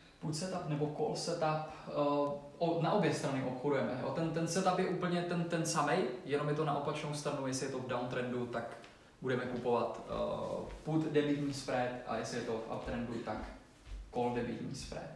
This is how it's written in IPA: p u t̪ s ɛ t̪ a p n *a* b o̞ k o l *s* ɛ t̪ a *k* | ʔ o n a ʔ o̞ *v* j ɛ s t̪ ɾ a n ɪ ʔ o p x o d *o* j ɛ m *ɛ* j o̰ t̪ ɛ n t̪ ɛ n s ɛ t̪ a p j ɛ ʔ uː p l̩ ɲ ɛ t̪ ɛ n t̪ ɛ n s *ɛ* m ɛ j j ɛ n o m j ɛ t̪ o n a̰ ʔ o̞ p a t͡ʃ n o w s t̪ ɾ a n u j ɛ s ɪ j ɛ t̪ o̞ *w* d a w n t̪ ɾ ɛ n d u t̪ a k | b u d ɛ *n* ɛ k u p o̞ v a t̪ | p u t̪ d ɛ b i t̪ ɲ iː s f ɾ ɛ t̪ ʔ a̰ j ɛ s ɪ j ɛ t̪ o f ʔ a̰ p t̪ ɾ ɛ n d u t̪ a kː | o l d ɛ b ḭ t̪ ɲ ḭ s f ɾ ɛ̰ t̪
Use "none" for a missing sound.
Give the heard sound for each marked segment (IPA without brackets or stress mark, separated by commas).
ɛ, s, p, b, u, ɛ, a, v, m